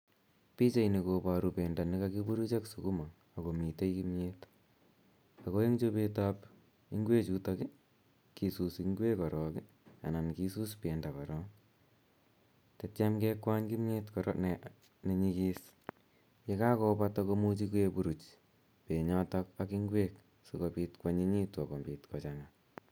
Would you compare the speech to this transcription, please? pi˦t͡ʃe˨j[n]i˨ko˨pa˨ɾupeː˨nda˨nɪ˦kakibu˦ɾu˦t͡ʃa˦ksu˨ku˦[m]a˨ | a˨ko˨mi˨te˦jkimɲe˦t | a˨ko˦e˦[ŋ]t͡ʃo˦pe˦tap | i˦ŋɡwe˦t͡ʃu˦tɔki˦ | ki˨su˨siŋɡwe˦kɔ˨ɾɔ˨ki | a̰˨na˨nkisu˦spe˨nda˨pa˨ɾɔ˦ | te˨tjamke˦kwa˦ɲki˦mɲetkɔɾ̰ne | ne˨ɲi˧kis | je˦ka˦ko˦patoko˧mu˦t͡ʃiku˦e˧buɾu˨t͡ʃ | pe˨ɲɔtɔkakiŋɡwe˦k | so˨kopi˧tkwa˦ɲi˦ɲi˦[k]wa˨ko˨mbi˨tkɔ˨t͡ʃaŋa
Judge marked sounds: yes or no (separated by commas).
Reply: yes, yes, yes, no